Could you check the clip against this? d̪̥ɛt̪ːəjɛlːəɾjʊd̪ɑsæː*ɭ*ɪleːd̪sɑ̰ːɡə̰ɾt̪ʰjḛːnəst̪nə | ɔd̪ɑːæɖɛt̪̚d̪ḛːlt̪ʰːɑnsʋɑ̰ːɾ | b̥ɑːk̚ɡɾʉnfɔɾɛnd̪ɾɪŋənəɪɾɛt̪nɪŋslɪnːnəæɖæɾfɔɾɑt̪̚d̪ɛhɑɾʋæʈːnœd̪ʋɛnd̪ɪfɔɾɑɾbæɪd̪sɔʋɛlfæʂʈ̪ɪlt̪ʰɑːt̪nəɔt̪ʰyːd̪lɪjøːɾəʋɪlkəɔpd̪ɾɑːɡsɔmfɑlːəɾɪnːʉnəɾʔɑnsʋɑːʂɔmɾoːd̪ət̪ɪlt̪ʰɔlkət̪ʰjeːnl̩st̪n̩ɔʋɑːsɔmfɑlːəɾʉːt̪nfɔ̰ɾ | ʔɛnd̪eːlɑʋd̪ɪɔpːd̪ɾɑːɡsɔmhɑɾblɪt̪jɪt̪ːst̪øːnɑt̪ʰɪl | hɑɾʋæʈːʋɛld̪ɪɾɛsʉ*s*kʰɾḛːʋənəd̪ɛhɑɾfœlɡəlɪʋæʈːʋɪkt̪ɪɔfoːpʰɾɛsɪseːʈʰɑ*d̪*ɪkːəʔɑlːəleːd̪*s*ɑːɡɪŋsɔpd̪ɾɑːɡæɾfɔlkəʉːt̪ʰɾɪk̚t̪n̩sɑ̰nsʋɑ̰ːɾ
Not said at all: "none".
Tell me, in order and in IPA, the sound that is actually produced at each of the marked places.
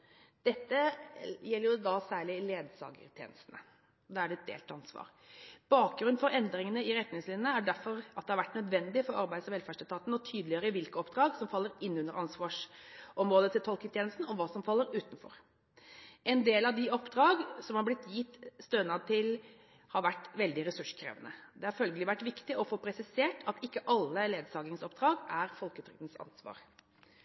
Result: ɭ, ʂ, t̪, s

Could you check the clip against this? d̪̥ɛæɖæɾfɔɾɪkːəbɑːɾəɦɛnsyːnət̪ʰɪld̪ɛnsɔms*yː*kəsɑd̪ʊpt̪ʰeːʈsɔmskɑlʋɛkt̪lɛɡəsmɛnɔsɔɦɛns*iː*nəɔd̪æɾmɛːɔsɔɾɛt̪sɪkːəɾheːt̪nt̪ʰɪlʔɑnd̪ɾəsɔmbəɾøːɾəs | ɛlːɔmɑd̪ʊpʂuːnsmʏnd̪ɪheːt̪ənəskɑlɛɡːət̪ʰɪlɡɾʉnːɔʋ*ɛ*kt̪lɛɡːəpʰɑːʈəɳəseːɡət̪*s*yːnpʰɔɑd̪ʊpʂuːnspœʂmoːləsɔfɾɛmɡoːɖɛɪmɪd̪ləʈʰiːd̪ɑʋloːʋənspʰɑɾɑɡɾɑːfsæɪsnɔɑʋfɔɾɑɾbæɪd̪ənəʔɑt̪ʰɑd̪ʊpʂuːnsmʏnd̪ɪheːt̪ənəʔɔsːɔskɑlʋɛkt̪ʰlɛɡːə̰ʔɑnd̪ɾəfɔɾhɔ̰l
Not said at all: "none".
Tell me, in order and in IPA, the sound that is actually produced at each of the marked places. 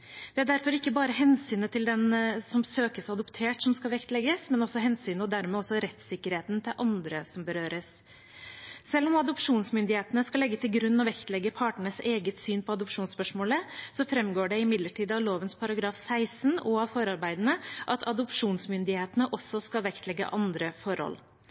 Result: øː, yː, ɛ, s

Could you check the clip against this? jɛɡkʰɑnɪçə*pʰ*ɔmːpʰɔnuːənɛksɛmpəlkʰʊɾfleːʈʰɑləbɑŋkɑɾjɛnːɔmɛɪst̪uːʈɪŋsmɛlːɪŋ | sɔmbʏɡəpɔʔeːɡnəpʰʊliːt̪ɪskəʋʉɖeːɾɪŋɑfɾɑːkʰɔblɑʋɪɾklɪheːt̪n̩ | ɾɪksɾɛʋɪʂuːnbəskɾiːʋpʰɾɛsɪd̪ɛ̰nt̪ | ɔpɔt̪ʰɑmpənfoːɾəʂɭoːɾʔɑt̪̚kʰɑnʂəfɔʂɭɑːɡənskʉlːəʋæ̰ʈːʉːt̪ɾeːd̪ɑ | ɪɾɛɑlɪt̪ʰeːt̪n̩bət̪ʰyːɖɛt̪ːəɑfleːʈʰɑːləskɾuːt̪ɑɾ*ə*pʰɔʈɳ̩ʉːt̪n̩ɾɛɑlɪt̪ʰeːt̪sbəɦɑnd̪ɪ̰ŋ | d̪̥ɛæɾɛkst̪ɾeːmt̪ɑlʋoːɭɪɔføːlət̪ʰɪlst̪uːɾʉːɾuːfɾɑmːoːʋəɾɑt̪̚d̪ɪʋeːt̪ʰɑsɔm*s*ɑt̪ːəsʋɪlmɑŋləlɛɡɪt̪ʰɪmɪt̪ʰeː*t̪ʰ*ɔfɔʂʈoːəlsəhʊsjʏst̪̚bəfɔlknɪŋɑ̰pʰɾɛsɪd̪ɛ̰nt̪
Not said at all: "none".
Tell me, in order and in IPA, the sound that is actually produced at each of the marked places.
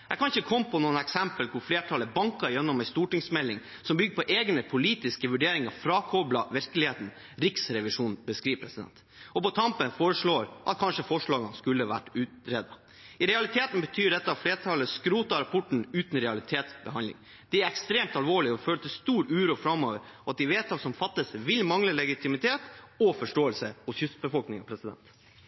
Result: kʰ, ɑ, f, t̪

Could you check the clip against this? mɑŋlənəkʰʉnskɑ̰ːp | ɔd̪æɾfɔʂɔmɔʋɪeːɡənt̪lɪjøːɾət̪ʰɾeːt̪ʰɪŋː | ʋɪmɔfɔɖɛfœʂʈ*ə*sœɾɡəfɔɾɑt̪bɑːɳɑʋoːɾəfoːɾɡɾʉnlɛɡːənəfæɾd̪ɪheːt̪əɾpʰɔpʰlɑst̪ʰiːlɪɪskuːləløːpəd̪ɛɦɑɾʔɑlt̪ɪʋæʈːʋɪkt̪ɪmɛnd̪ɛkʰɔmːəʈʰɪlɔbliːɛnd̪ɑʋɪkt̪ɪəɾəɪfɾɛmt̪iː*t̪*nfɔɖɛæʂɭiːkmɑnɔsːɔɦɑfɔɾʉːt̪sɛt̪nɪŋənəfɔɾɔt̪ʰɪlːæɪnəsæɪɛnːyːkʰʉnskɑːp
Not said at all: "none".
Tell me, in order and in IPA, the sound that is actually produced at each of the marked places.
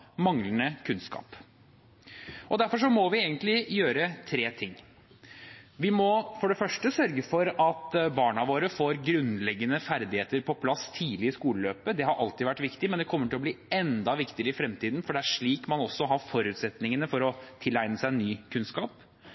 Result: ə, d̪

